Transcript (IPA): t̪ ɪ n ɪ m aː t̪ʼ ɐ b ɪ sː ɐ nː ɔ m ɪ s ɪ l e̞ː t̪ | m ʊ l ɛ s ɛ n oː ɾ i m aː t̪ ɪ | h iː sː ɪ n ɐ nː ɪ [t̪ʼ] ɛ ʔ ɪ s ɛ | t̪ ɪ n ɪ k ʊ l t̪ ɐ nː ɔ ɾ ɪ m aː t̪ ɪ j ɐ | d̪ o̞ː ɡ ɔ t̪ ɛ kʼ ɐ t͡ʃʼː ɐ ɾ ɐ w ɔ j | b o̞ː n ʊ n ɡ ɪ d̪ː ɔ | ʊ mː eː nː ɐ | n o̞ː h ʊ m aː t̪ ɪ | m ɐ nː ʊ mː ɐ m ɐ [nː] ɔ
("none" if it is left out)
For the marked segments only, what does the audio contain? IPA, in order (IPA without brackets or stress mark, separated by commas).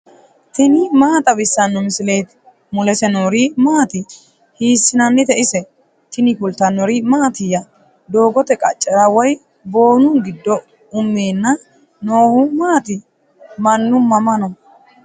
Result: t̪, n